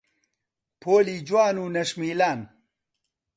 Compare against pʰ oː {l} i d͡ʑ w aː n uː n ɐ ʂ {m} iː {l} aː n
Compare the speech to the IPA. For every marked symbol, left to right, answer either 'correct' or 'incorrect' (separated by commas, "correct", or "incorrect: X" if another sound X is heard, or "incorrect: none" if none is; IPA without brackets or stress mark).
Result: correct, correct, correct